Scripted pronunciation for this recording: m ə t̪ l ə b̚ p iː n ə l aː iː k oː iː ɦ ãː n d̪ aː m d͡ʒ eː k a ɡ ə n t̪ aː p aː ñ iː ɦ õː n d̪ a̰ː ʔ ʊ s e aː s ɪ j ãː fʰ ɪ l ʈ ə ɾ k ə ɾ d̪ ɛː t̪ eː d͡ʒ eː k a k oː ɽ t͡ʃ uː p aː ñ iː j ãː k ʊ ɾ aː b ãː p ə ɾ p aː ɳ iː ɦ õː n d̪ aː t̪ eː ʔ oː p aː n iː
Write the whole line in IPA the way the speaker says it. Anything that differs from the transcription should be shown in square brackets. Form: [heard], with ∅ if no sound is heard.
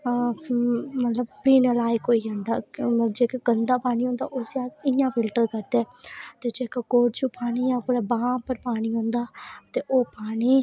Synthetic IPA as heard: m ə t̪ l ə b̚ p iː n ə l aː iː k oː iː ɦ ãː n d̪ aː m d͡ʒ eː k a ɡ ə n [d̪] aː p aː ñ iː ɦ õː n d̪ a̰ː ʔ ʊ s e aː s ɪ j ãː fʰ ɪ l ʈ ə ɾ k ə ɾ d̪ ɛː t̪ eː d͡ʒ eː k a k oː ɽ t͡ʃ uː p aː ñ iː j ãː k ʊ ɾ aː b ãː p ə ɾ p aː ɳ iː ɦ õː n d̪ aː t̪ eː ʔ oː p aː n iː